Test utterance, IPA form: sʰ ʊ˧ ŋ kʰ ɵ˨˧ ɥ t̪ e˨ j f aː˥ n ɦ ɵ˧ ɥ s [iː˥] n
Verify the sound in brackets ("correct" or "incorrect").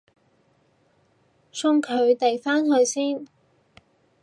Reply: correct